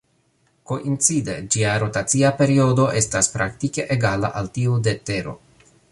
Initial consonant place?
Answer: velar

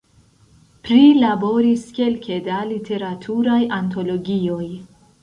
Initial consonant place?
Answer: labial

